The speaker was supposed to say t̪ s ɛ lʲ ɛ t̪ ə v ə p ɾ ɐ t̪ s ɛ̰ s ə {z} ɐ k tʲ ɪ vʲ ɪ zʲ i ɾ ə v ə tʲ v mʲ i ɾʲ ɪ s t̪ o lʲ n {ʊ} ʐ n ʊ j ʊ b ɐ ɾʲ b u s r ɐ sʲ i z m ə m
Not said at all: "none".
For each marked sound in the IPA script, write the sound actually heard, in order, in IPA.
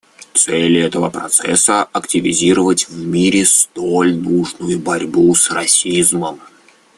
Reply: none, u

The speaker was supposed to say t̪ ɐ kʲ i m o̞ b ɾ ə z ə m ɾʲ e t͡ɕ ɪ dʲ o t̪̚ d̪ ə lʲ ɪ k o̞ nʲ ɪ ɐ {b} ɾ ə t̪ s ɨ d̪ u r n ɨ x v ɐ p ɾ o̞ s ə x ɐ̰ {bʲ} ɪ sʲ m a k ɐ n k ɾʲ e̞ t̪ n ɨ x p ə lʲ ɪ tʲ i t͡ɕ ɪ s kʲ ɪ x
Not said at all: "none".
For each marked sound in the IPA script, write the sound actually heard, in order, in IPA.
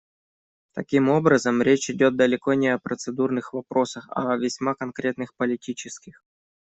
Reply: p, vʲ

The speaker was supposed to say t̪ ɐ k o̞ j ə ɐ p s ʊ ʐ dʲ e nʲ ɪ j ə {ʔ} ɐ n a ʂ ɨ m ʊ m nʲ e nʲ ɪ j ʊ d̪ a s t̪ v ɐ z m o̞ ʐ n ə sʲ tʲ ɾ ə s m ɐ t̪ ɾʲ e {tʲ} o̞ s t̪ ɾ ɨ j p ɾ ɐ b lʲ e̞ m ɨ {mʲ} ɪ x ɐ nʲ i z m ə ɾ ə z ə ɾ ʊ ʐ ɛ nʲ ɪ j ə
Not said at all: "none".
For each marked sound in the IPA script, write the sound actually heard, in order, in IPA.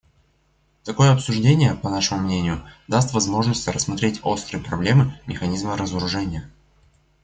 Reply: p, tʲ, mʲ

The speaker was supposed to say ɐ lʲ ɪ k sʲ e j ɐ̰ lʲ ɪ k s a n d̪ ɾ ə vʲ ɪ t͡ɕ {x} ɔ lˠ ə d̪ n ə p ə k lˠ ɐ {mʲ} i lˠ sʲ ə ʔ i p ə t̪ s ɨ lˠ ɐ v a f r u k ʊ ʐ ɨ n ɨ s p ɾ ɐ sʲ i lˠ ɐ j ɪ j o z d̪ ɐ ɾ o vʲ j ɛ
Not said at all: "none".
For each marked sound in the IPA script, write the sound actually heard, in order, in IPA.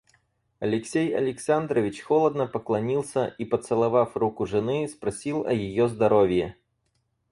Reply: x, nʲ

